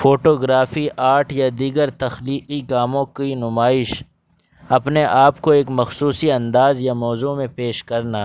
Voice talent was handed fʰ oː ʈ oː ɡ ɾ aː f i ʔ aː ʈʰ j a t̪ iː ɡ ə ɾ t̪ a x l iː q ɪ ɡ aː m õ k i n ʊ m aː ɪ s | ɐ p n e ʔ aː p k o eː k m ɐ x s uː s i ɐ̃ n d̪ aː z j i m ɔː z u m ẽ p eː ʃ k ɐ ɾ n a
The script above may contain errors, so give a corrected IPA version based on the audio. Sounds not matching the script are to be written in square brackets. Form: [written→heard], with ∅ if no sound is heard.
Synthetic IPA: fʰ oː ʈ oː ɡ ɾ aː f i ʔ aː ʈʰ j a [t̪→d̪] iː ɡ ə ɾ t̪ [a→ɐ] x l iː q [ɪ→i] ɡ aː m õ k i n ʊ m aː ɪ [s→ʃ] | ɐ p n e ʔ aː p k o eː k m ɐ x s uː s i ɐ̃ n d̪ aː z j [i→a] m ɔː z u m ẽ p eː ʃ k ɐ ɾ n a